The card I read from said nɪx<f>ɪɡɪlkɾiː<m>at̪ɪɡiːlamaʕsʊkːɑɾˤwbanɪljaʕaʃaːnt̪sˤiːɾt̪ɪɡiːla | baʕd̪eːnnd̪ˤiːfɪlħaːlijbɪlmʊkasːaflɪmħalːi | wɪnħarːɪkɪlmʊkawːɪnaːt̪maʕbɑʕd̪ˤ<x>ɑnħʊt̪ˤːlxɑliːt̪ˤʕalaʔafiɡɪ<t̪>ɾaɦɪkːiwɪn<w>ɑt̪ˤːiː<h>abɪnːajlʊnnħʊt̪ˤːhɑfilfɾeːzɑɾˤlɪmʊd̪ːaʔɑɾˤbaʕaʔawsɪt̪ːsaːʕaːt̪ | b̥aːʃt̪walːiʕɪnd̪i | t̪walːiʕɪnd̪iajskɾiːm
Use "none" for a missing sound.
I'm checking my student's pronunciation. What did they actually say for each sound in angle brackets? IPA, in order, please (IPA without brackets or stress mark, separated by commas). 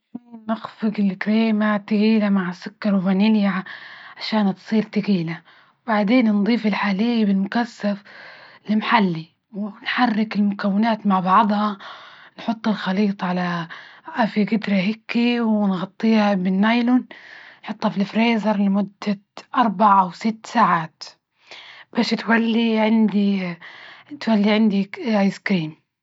f, m, h, d̪, ɣ, h